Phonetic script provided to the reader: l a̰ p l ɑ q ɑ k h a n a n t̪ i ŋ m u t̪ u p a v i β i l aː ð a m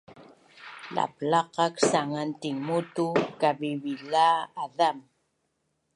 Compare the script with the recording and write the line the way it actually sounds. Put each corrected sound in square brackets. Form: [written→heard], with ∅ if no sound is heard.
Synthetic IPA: l a̰ p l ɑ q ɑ k [h→s] a [n→ŋ] a n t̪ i ŋ m u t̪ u [p→k] a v i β i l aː ð a m

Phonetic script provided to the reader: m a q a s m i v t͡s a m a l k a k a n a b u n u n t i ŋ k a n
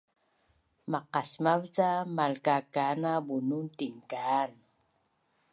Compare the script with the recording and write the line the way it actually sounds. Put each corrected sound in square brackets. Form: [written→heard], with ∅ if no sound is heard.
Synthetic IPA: m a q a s m [i→a] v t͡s a m a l k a k a n a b u n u n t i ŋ k a n

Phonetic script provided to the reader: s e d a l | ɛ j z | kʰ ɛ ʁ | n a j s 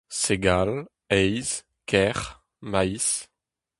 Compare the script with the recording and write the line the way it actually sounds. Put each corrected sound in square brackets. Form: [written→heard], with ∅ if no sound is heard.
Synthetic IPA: s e [d→ɡ] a l | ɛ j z | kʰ ɛ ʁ | [n→m] a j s

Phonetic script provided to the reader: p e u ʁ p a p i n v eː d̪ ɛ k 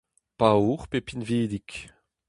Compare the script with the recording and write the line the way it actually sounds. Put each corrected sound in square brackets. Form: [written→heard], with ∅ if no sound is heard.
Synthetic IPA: p [e→a] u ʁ p [a→e] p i n v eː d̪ [ɛ→i] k

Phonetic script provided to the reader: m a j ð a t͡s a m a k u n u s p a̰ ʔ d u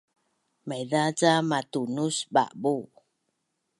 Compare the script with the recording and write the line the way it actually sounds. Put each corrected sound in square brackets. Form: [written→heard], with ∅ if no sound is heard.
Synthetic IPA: m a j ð a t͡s a m a [k→t] u n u s [p→b] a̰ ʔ [d→b] u

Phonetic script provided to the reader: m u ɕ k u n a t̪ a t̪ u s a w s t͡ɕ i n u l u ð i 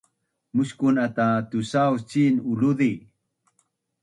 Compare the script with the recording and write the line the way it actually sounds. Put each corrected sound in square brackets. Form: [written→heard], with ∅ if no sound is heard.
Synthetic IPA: m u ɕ k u n a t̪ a t̪ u s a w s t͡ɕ i n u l u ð i

